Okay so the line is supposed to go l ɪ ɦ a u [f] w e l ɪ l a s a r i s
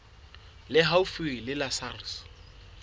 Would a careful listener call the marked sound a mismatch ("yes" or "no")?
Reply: no